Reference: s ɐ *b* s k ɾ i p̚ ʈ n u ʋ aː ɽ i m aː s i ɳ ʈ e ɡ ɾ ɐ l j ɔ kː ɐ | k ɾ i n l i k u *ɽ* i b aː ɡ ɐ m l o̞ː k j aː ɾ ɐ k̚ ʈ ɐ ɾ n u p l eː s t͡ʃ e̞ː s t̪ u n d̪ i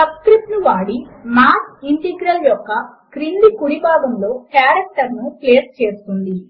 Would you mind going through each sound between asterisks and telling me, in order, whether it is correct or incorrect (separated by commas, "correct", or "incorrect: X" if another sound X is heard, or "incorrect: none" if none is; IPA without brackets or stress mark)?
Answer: correct, correct